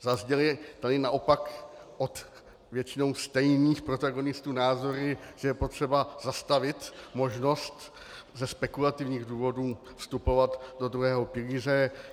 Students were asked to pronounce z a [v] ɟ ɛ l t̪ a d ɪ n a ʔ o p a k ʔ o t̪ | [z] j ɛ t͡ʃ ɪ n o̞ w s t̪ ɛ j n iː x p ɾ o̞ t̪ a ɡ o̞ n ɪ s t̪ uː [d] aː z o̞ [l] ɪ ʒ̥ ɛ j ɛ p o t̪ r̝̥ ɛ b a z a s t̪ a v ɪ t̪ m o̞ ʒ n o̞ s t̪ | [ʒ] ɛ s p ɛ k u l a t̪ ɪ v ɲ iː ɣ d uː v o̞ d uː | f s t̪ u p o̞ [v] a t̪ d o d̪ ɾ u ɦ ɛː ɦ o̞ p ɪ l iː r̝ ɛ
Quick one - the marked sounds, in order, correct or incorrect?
incorrect, incorrect, incorrect, incorrect, incorrect, correct

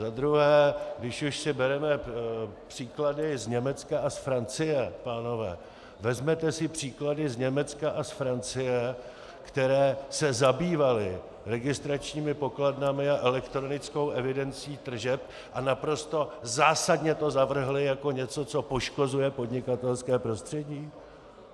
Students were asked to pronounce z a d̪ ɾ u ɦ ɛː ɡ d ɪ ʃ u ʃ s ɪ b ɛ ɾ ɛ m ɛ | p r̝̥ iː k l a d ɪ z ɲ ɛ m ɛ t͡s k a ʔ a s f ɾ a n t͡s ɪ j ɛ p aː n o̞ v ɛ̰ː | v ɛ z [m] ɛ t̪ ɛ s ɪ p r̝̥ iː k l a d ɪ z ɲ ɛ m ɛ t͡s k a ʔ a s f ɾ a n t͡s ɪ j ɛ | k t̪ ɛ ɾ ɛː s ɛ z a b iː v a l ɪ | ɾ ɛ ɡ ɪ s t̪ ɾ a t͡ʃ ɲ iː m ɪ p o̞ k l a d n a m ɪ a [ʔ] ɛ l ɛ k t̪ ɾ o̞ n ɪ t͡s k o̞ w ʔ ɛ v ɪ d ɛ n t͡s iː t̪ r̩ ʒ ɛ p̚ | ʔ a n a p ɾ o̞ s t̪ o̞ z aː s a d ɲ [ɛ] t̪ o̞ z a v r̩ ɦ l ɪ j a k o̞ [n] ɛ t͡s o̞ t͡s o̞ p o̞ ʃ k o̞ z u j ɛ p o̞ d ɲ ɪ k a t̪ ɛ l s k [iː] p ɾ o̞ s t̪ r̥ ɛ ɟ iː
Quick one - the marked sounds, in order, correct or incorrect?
correct, correct, correct, incorrect, incorrect

